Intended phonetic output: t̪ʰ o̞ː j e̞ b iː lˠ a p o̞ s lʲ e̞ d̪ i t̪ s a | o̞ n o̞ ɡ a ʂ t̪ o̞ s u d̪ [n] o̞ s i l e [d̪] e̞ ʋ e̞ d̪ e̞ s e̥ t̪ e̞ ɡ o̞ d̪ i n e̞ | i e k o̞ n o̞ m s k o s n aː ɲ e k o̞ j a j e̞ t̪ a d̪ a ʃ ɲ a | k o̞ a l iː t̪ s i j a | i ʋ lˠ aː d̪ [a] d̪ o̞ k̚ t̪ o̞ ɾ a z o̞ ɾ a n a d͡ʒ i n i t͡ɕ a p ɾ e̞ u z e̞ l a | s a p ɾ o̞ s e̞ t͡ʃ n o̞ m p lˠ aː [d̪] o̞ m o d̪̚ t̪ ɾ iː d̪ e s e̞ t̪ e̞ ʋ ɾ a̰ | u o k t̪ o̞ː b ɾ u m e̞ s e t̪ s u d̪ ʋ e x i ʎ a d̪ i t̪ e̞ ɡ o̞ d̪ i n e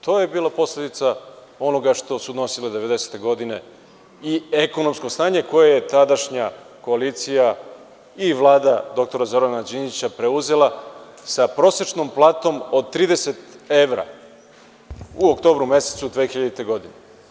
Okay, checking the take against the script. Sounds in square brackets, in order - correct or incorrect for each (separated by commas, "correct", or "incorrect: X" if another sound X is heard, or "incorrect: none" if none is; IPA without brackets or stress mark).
correct, correct, correct, incorrect: t̪